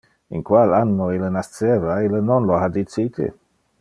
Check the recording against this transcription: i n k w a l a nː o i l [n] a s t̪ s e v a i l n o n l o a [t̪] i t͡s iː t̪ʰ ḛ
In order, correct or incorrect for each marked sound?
correct, incorrect: d̪

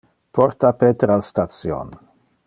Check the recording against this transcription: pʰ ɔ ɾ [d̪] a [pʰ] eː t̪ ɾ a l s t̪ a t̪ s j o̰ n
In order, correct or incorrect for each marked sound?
incorrect: t̪, incorrect: p

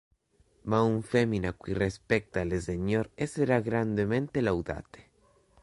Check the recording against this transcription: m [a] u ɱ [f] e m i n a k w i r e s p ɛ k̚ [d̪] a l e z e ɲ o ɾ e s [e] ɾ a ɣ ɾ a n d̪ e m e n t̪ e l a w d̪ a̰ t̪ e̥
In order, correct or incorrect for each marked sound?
correct, correct, incorrect: t̪, correct

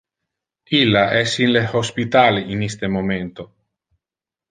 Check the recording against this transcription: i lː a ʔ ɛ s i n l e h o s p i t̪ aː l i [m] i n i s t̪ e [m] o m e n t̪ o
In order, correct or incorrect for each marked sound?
incorrect: none, correct

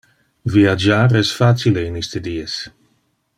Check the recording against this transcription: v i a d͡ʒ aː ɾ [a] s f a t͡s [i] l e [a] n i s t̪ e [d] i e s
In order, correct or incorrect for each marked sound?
incorrect: ɛ, correct, incorrect: i, correct

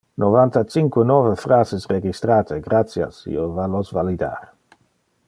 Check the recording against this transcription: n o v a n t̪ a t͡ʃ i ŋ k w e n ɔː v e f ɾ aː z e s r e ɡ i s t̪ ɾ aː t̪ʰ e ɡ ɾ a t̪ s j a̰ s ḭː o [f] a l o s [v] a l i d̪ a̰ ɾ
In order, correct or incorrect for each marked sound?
incorrect: v, correct

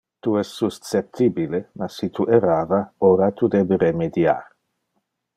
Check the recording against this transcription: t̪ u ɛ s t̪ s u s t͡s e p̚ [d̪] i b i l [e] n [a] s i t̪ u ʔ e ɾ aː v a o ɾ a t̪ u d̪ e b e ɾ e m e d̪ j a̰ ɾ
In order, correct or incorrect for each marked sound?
incorrect: t̪, correct, correct

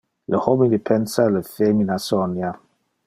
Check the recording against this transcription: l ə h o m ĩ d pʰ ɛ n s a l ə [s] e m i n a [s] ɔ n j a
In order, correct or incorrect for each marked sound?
incorrect: f, correct

